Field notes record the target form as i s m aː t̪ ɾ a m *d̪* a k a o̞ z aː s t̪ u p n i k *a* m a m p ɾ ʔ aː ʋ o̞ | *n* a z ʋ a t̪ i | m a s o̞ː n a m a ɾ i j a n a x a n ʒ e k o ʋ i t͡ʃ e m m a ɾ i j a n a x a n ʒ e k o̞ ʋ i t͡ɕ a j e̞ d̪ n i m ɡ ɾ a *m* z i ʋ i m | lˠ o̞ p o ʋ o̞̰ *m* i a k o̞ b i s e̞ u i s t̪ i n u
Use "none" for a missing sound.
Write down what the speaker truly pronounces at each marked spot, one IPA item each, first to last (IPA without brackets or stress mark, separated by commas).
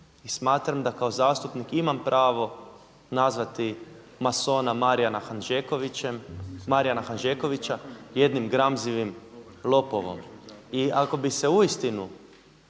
d̪, i, n, m, m